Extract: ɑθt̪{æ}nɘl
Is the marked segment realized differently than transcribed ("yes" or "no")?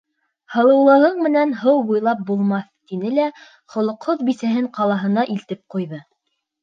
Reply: yes